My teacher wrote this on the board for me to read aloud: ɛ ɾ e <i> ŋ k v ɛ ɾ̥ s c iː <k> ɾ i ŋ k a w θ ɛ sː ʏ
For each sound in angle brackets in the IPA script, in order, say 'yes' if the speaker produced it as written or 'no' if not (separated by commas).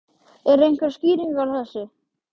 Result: no, no